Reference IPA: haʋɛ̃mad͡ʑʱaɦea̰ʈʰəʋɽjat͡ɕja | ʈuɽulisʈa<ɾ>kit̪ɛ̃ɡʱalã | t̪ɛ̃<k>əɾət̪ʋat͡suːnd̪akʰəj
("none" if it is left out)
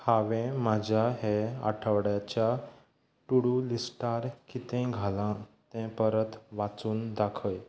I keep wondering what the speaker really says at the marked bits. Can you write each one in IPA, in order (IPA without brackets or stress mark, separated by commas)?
ɾ, p